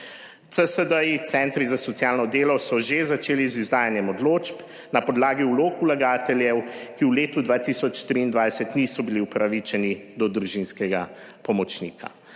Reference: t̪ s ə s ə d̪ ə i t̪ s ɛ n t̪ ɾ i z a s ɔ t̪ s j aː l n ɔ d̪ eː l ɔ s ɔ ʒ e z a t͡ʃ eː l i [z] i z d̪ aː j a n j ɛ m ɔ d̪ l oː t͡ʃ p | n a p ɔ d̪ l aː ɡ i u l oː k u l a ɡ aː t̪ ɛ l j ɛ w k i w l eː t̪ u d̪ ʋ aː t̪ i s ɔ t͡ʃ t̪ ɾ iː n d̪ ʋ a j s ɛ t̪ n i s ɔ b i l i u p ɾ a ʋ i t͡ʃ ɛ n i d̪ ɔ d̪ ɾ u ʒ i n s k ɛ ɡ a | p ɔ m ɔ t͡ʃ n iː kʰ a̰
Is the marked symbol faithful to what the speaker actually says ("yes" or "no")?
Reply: yes